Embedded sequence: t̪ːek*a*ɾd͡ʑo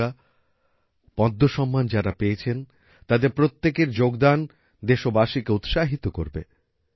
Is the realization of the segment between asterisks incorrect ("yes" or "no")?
yes